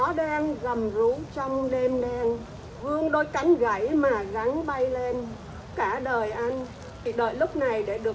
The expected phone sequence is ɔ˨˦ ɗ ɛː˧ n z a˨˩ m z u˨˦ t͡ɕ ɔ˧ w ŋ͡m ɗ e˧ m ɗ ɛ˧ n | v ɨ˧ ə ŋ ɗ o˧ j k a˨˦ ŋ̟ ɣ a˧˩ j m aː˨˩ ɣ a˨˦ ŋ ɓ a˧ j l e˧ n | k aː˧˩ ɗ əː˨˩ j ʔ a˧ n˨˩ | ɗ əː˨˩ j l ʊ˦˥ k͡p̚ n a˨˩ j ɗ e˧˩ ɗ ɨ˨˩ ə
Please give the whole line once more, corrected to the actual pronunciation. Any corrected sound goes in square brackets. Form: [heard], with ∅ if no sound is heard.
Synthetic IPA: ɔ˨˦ ɗ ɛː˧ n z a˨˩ m z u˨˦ t͡ɕ ɔ˧ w ŋ͡m ɗ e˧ m ɗ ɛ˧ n | v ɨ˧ ə ŋ ɗ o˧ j k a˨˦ ŋ̟ ɣ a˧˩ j m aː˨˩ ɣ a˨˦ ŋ ɓ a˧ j l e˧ n | k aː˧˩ ɗ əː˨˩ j ʔ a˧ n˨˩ | ɗ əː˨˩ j l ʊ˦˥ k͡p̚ n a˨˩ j ɗ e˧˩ ɗ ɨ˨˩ ə